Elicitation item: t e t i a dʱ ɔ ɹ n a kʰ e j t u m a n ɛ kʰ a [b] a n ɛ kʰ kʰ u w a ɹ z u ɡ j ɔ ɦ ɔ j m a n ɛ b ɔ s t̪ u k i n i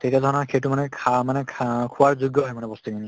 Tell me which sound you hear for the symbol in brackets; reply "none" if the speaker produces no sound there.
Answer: m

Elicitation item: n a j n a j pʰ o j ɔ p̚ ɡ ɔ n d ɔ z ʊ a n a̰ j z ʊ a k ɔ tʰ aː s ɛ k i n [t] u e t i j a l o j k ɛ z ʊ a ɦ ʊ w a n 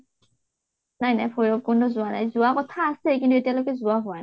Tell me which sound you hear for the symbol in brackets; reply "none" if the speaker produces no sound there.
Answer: t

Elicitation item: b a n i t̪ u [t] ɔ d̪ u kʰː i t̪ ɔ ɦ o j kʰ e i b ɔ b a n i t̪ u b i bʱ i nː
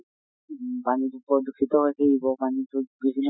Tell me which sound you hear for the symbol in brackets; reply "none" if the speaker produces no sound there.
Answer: p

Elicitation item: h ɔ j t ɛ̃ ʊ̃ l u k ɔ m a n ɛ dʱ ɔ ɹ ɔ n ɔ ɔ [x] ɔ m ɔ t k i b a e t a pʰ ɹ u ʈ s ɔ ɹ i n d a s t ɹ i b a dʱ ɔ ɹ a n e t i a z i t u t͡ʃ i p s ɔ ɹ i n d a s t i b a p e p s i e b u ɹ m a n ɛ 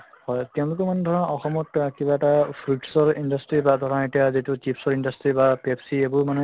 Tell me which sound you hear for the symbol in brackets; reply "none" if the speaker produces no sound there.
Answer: x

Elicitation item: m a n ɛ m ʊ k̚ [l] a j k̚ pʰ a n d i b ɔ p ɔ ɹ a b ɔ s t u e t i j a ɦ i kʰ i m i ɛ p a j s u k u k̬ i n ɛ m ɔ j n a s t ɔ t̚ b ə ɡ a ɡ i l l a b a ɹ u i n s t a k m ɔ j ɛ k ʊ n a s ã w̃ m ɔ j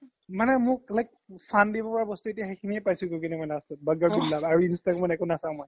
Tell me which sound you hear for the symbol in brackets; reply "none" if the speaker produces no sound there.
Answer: l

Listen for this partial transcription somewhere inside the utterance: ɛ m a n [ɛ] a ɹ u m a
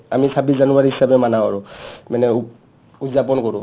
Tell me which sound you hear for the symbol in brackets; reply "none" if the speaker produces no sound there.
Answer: a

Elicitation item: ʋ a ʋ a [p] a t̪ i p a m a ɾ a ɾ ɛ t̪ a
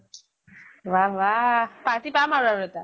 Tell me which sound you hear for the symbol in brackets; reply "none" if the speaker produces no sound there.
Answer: p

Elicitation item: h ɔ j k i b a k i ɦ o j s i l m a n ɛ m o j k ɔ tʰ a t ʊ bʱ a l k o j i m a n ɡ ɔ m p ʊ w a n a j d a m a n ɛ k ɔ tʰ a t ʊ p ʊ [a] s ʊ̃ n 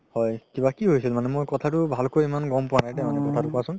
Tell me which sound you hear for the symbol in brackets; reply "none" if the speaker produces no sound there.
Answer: a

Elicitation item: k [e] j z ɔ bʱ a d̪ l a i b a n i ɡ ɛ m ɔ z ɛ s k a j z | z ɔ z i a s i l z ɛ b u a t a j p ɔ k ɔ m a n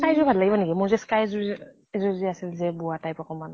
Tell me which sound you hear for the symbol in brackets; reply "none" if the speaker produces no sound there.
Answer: a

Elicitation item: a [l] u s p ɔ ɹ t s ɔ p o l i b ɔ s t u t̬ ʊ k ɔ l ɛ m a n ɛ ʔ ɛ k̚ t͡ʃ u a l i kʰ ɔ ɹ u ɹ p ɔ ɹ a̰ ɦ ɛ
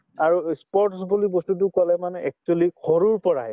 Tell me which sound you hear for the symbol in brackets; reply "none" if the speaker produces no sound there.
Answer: ɹ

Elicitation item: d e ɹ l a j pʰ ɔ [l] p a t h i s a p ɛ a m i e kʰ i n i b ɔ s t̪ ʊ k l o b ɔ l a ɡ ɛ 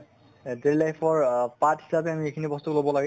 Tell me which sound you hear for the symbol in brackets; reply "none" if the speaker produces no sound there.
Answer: ɹ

